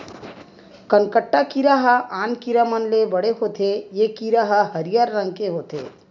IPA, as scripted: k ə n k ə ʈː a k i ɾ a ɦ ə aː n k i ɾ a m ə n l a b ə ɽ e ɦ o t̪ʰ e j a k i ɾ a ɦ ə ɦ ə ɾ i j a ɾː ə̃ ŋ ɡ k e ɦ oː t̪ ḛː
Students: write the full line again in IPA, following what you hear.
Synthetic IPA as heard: k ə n k ə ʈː a k i ɾ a ɦ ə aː n k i ɾ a m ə n l e b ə ɽ e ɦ o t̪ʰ e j e k i ɾ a ɦ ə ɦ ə ɾ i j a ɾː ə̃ ŋ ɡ k e ɦ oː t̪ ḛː